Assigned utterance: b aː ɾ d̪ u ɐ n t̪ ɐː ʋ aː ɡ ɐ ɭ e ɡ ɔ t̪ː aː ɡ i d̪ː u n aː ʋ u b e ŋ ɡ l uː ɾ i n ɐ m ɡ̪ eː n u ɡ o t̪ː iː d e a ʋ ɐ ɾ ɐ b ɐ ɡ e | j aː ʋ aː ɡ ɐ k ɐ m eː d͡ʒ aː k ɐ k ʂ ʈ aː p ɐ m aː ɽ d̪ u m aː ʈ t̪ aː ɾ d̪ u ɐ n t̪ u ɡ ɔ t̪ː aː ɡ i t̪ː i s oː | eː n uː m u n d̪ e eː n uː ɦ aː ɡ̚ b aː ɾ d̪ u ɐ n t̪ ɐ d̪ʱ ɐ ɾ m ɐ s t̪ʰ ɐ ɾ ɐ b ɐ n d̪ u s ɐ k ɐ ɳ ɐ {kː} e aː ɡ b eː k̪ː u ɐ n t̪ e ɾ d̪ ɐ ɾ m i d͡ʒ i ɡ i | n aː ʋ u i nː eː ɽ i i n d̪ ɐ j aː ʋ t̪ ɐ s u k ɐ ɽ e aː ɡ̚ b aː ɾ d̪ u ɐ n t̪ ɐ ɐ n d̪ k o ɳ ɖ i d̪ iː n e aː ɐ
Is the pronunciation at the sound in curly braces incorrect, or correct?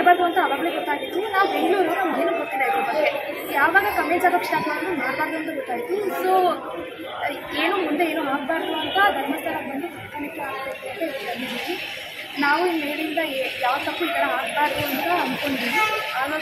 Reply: correct